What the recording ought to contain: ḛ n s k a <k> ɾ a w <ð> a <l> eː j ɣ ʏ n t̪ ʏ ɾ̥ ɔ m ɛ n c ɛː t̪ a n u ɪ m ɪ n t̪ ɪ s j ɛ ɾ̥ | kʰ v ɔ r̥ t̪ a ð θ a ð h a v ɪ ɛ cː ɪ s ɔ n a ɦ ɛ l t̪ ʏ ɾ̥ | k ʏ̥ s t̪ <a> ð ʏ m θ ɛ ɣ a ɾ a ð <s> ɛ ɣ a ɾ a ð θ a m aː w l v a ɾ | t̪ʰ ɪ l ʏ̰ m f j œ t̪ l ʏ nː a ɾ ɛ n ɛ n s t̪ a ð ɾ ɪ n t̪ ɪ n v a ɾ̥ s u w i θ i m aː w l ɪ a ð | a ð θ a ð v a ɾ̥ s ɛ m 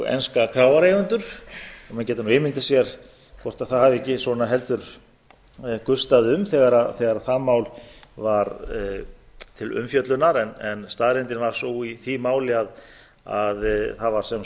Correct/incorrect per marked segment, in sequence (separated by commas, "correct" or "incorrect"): incorrect, incorrect, incorrect, correct, incorrect